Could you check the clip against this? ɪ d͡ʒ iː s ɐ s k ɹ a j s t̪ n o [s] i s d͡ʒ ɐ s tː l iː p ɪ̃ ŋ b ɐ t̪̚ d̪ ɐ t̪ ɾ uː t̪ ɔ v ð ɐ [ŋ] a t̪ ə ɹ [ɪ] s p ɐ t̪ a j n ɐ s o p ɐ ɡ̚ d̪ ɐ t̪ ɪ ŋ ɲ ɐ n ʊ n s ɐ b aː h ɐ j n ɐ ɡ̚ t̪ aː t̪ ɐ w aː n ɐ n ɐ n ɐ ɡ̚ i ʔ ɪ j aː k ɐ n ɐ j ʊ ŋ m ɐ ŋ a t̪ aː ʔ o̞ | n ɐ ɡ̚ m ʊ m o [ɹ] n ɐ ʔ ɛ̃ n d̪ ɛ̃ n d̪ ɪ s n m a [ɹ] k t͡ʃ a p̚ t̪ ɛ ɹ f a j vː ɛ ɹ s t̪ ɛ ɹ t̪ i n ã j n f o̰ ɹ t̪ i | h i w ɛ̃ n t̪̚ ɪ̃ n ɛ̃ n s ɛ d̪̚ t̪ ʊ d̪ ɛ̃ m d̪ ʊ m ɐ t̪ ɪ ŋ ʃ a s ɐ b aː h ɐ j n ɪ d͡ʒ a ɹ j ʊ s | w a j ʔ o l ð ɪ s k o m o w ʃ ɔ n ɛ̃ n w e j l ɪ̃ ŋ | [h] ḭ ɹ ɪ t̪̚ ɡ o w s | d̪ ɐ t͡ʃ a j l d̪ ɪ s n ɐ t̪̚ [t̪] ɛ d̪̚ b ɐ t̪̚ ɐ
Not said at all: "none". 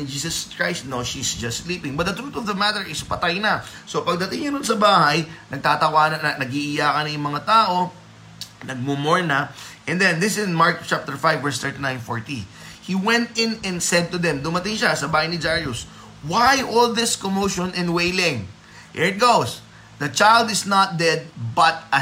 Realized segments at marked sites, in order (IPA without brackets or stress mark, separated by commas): ʃ, m, ɪ, ɹ, ɹ, h, d̪